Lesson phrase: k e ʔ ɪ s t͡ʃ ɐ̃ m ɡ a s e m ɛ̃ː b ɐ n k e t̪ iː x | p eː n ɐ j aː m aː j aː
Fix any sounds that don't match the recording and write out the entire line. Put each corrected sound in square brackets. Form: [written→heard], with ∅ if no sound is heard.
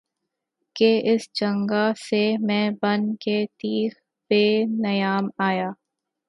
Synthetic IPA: k e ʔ ɪ s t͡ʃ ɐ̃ [m→ŋ] ɡ a s e m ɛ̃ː b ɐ n k e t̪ iː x | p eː n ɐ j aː m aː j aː